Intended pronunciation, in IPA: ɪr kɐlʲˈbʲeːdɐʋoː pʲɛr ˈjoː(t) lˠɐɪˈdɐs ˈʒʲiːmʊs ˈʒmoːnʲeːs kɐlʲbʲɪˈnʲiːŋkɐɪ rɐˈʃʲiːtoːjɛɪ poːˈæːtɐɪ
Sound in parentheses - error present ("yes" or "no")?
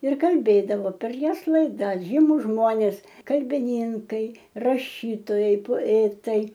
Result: yes